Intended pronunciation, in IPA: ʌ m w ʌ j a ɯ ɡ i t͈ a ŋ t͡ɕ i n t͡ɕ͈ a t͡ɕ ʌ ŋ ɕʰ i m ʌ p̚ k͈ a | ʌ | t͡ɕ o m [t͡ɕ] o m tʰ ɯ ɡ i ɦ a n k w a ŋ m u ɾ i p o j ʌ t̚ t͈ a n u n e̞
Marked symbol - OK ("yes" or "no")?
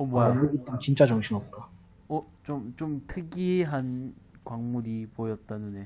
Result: yes